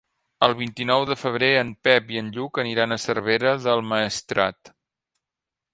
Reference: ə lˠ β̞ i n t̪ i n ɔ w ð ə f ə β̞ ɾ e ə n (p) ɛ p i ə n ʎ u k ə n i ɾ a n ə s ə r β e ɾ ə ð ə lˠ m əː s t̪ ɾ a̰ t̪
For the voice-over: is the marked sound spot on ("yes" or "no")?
yes